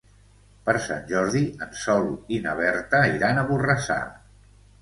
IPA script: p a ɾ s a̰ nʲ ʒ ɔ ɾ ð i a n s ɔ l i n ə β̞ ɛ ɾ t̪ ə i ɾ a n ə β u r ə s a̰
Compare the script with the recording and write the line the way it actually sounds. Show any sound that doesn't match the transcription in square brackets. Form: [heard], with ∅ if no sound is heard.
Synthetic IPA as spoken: p [ə] ɾ s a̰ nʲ ʒ ɔ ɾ ð i [ə] n s ɔ l i n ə β̞ ɛ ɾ t̪ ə i ɾ a n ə β u r ə s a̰